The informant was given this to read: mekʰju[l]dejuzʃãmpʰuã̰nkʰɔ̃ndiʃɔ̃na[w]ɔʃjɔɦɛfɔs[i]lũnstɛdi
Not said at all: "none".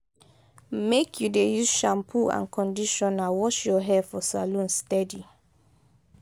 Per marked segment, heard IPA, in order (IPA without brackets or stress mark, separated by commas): none, w, a